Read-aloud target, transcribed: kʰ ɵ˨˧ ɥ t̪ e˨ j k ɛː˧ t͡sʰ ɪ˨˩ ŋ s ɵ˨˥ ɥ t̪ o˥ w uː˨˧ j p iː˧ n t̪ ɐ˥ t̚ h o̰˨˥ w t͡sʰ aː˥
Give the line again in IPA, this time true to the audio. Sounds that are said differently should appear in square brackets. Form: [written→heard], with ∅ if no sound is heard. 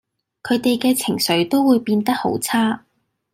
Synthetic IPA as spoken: kʰ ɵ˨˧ ɥ t̪ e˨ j k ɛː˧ t͡sʰ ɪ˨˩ ŋ s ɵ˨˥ ɥ t̪ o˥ w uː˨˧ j p iː˧ n t̪ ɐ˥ [t̚→k̚] h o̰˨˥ w t͡sʰ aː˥